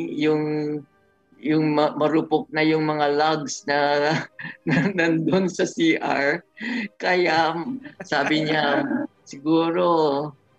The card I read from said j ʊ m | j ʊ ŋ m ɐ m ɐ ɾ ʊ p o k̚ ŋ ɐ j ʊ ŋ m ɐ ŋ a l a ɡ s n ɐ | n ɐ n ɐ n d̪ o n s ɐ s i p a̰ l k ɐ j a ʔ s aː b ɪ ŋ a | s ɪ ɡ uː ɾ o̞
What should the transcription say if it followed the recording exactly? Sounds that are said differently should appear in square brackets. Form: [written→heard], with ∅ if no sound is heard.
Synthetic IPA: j ʊ [m→ŋ] | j ʊ ŋ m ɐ m ɐ ɾ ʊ p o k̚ [ŋ→n] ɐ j ʊ ŋ m ɐ ŋ a l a ɡ s n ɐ | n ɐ n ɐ n d̪ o n s ɐ s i [p→ʔ] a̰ [l→ɹ] k ɐ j a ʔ s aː b ɪ [ŋ→ɲ] a | s ɪ ɡ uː ɾ o̞